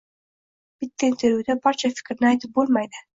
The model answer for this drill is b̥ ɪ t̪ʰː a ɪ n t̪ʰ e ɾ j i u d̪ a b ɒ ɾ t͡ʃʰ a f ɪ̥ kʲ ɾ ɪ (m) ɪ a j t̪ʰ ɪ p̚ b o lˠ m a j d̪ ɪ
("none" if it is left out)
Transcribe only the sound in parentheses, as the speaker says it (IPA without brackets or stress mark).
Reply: n